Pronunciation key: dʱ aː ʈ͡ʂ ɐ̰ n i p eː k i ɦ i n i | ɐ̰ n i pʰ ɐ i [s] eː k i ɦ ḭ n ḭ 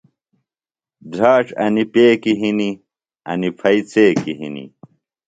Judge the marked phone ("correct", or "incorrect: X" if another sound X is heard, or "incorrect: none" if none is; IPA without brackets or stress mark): incorrect: t͡s